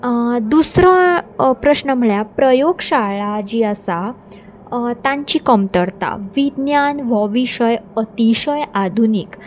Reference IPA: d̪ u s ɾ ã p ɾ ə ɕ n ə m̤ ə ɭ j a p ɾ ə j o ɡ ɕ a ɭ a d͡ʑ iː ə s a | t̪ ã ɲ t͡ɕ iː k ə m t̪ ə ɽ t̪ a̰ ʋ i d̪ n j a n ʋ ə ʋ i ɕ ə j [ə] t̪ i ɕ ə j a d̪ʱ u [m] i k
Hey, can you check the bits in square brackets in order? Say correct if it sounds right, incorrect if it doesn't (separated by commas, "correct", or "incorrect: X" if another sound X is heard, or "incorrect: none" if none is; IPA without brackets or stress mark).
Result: correct, incorrect: n